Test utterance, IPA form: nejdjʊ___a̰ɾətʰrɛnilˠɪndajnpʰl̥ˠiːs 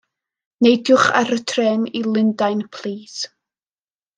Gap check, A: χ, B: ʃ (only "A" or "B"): A